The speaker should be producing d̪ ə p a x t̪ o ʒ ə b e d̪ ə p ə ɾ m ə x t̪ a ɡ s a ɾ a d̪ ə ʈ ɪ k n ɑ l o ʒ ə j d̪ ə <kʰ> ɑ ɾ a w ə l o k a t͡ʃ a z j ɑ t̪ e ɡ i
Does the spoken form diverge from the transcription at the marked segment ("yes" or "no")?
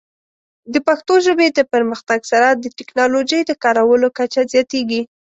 yes